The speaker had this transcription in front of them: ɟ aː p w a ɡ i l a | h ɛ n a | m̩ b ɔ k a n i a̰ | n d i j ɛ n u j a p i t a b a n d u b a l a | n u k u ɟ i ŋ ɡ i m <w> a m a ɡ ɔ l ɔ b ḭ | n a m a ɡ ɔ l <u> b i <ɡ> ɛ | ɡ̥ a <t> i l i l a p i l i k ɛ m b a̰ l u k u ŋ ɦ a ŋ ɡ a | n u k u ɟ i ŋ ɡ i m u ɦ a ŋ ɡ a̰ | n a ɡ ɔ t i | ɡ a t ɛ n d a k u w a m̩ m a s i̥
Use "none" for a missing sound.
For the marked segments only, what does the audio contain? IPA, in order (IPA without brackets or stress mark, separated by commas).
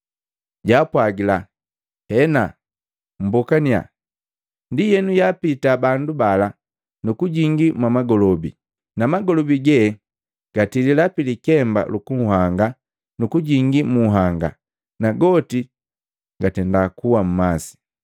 w, ɔ, ɡ, t